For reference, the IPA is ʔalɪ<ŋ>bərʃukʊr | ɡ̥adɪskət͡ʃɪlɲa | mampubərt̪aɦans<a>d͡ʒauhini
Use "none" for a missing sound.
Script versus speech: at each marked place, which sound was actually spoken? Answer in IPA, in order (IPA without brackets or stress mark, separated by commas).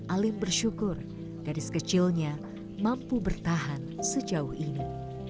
m, ə